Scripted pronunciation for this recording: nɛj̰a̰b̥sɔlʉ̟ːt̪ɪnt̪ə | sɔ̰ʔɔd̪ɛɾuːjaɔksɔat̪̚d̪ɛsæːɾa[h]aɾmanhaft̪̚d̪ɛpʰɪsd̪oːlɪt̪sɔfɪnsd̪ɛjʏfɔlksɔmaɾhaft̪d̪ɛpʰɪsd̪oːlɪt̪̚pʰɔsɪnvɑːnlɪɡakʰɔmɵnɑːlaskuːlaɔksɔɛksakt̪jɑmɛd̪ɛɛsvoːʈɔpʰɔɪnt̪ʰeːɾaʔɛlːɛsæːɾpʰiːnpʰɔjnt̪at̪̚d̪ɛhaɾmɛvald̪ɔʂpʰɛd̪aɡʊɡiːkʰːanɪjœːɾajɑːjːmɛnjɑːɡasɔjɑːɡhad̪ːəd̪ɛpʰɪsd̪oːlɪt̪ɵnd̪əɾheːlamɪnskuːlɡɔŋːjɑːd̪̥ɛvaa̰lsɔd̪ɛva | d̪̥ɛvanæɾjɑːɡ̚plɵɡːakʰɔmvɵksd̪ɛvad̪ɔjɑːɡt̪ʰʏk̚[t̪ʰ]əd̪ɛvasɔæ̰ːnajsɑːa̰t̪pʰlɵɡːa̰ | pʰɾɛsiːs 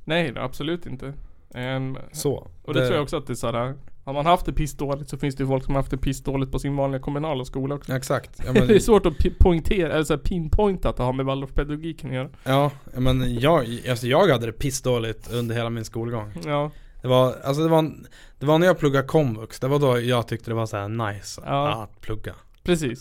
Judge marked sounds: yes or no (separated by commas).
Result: yes, no